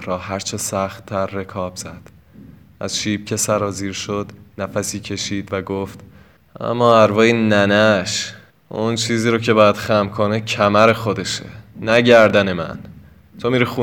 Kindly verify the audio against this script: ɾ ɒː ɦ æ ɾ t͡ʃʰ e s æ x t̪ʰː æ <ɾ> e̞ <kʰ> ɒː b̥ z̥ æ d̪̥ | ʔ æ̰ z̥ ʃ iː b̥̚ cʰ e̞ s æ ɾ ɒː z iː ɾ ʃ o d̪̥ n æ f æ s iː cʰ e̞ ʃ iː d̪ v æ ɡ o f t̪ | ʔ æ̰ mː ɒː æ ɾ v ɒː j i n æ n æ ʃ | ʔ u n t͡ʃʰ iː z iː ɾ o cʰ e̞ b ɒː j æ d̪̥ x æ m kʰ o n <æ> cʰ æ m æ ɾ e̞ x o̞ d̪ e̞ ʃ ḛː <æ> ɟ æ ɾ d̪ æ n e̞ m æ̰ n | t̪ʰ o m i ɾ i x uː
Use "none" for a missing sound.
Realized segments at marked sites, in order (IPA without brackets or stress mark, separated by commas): ɾː, kʰ, e, æ